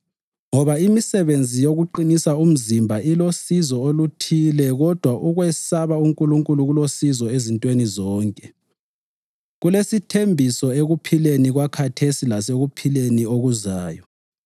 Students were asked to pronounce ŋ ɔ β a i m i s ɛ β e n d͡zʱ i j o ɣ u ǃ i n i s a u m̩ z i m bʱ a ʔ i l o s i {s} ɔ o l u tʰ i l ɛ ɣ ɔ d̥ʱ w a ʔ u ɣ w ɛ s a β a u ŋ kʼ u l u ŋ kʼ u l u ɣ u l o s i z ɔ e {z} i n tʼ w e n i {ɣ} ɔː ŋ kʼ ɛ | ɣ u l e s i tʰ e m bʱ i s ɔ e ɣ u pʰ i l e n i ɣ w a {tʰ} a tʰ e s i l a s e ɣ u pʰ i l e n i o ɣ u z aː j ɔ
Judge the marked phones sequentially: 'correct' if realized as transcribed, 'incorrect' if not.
incorrect: z, correct, incorrect: z, incorrect: kʰ

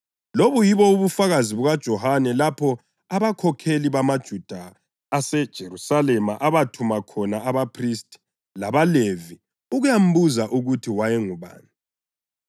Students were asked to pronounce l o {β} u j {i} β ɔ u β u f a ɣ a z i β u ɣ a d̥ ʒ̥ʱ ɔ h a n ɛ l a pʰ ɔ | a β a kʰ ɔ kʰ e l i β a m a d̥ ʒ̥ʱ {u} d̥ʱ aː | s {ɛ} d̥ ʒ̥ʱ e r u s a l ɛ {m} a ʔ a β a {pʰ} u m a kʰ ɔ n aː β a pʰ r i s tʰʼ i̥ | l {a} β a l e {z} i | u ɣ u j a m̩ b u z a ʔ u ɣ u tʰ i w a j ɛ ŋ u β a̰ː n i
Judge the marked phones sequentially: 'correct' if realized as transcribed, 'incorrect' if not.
correct, correct, correct, correct, correct, incorrect: tʰ, correct, incorrect: v

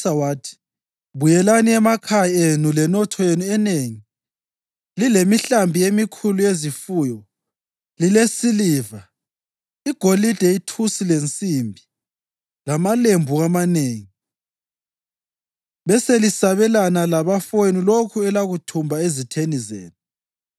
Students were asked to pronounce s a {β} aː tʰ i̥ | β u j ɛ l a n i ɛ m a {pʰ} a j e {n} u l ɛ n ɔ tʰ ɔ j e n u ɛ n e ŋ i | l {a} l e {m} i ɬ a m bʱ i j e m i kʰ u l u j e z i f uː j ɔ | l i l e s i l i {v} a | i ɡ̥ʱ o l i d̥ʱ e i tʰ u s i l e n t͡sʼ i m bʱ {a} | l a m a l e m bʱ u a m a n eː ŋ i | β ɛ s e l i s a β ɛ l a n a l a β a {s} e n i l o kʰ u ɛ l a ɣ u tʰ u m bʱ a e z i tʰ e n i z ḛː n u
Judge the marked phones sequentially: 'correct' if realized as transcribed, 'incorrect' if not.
incorrect: w, incorrect: kʰ, correct, incorrect: i, correct, correct, incorrect: i, incorrect: f

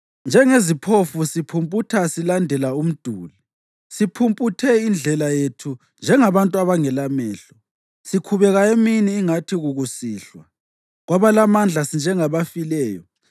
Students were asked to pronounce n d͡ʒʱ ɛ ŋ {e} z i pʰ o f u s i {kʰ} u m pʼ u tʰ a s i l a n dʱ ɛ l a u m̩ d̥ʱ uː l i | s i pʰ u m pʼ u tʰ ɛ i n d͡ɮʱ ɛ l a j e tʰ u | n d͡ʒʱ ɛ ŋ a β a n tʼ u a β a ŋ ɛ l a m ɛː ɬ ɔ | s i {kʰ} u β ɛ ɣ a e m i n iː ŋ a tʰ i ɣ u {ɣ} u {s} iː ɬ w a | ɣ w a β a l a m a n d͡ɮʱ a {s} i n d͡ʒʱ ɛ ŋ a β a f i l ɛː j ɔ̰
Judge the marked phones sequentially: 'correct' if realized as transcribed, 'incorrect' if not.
correct, incorrect: pʰ, correct, correct, correct, correct

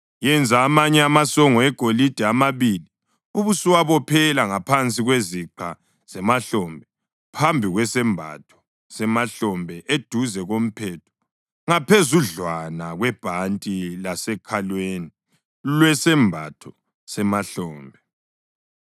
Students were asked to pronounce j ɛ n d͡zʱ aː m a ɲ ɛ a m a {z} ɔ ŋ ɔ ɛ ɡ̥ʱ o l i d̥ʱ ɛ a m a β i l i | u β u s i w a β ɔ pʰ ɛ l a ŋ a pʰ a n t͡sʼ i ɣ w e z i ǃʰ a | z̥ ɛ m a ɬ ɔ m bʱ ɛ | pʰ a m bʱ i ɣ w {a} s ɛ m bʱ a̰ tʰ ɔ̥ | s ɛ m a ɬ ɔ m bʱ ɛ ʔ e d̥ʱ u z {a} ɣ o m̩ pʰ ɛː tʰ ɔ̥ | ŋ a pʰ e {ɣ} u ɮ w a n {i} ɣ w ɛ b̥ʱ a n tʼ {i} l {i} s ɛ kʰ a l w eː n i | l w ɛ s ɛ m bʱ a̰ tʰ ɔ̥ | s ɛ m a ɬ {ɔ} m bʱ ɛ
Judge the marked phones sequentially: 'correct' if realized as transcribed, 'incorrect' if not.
incorrect: s, incorrect: ɛ, incorrect: ɛ, incorrect: z, incorrect: a, correct, incorrect: a, incorrect: ɔː

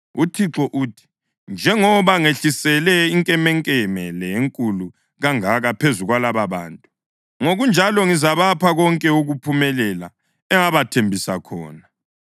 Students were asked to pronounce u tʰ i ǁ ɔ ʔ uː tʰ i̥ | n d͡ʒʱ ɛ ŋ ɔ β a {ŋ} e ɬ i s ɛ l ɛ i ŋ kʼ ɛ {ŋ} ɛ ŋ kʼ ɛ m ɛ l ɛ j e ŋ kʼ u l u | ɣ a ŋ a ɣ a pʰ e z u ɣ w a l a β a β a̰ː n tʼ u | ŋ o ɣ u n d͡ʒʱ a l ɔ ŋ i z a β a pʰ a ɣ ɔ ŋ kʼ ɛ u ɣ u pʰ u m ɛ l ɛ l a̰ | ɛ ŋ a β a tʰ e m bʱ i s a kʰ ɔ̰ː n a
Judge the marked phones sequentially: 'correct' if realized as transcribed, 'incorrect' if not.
correct, incorrect: m

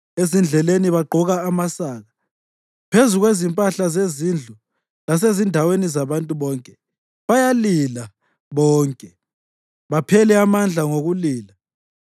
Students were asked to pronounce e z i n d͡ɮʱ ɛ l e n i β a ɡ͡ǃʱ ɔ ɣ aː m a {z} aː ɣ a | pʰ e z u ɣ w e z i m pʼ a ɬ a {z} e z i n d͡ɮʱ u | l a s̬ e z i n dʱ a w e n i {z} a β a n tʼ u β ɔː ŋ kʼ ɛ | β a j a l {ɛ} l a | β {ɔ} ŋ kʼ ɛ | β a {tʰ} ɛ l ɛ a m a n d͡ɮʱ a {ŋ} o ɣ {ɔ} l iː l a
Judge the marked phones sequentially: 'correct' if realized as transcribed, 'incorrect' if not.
incorrect: s, correct, correct, incorrect: i, incorrect: ɔː, incorrect: pʰ, correct, incorrect: u

